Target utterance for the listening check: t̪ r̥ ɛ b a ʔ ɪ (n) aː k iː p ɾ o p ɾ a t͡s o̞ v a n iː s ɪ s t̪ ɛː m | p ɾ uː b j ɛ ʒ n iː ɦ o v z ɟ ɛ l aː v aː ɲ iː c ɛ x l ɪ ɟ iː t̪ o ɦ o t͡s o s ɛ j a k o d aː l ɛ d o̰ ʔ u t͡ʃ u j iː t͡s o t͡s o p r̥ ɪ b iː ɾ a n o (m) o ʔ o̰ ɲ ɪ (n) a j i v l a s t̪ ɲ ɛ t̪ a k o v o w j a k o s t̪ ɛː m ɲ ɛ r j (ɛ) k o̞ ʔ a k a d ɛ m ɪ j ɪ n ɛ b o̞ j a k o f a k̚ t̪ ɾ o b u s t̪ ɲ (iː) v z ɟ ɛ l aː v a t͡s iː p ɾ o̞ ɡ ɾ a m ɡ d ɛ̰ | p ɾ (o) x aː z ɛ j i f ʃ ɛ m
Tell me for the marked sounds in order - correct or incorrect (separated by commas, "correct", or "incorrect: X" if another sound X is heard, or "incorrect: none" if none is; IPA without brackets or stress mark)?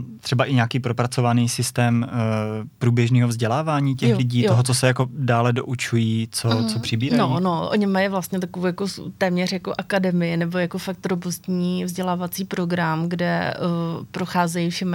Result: incorrect: ɲ, incorrect: n, incorrect: m, incorrect: a, correct, correct